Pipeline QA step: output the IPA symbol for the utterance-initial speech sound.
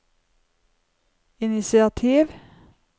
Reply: ɪ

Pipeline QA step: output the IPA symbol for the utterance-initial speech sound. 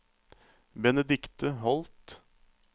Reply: b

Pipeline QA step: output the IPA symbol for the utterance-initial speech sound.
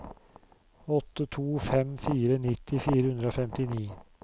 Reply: ɔ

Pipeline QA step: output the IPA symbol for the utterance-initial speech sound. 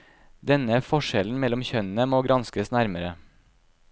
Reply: d̪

